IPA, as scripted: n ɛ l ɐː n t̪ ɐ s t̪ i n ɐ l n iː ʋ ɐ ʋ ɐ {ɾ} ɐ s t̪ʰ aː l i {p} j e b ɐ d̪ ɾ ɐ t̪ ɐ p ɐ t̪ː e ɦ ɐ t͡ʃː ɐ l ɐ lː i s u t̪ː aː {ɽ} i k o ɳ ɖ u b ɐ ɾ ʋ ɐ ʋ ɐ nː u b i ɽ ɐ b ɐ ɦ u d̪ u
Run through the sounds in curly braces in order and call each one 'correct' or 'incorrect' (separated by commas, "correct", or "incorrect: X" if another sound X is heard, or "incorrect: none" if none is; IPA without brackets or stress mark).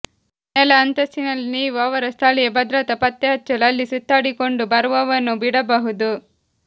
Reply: correct, incorrect: none, correct